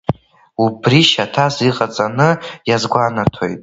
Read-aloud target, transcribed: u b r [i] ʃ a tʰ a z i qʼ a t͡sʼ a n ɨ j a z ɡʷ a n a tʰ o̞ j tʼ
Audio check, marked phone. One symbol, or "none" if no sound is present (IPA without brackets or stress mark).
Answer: i